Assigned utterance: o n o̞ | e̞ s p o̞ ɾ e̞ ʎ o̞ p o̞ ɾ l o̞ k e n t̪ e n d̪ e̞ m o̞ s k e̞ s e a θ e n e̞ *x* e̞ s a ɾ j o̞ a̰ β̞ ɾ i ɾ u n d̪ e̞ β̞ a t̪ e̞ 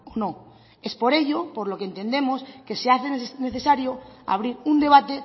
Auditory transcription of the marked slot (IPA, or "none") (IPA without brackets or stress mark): θ